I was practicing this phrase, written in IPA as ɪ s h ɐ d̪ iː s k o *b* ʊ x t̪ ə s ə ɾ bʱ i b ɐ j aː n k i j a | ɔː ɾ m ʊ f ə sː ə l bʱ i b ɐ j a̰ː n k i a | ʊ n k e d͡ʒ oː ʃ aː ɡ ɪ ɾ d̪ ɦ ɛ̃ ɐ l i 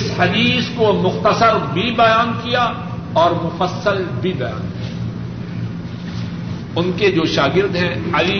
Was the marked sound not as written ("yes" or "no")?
yes